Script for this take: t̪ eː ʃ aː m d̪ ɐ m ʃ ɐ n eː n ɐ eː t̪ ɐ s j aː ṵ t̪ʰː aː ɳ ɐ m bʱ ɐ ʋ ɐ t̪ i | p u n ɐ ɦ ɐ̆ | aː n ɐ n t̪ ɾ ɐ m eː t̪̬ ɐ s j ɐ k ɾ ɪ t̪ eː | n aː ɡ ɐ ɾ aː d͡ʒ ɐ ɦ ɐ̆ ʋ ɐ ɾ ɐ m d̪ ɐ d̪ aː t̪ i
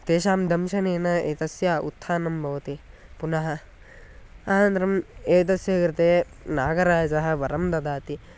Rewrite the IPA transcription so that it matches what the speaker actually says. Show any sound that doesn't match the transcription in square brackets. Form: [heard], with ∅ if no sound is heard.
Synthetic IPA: t̪ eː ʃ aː m d̪ ɐ m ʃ ɐ n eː n ɐ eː t̪ ɐ s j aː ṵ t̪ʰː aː [n] ɐ m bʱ ɐ ʋ ɐ t̪ i | p u n ɐ ɦ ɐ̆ | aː n ɐ n t̪ ɾ ɐ m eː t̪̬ ɐ s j ɐ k ɾ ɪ t̪ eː | n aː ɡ ɐ ɾ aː d͡ʒ ɐ ɦ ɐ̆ ʋ ɐ ɾ ɐ m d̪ ɐ d̪ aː t̪ i